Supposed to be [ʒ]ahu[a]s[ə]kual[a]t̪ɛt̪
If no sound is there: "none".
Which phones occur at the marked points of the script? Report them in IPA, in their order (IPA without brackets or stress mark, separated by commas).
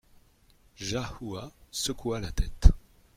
ʒ, a, ə, a